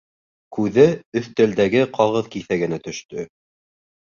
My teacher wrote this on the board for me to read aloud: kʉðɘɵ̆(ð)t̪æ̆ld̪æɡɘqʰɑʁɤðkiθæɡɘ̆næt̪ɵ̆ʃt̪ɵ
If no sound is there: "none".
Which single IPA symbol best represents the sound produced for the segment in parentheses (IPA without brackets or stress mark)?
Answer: θ